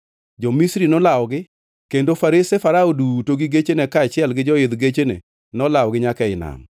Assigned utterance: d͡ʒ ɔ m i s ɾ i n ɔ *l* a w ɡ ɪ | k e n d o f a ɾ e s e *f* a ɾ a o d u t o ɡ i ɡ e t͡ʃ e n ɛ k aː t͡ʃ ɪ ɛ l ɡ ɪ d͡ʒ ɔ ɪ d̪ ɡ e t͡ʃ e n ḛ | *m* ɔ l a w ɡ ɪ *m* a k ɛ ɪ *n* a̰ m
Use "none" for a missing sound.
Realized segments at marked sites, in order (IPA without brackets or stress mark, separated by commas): l, f, n, ɲ, n